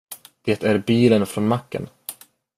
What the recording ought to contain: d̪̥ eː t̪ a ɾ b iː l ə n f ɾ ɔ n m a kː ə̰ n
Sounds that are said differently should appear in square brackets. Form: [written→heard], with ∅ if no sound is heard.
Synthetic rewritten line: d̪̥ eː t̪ [a→æ] ɾ b iː l ə n f ɾ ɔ n m a kː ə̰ n